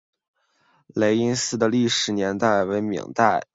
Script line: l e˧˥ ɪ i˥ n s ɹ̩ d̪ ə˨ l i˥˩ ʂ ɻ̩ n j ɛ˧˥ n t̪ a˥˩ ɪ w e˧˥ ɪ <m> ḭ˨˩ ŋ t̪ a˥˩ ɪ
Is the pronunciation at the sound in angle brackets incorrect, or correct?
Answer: correct